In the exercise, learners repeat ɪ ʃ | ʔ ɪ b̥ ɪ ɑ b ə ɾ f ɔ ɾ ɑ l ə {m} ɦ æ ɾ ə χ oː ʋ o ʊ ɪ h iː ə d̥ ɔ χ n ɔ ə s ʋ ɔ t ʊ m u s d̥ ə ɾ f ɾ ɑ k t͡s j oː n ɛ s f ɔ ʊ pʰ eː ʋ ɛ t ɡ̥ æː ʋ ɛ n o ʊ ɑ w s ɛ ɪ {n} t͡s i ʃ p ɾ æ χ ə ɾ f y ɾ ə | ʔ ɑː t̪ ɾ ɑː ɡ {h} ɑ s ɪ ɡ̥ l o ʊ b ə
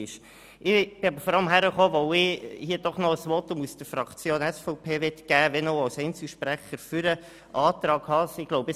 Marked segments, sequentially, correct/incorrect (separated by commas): correct, correct, correct